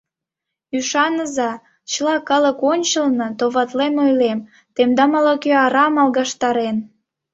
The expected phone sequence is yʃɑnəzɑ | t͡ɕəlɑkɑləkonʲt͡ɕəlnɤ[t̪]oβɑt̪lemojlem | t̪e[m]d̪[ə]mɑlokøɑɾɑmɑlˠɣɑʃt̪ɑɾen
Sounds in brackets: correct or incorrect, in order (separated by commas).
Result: correct, correct, incorrect